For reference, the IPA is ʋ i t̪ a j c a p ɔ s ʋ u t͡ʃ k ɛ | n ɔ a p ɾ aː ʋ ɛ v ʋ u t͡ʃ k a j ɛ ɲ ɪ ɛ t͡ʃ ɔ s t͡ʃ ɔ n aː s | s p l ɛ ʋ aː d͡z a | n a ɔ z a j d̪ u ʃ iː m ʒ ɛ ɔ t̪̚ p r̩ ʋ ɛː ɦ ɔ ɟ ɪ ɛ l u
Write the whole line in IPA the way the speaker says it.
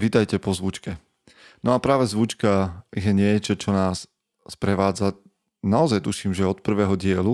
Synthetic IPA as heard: ʋ i t̪ a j c ɛ p ɔ z ʋ u t͡ʃ k ɛ | n ɔ a p ɾ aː ʋ ɛ z ʋ u t͡ʃ k a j ɛ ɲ ɪ ɛ t͡ʃ ɔ t͡ʃ ɔ n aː s | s p ɾ ɛ ʋ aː d͡z a | n a ɔ z a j t̪ u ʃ iː m ʒ ɛ ɔ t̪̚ p r̩ ʋ ɛː ɦ ɔ ɟ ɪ ɛ l u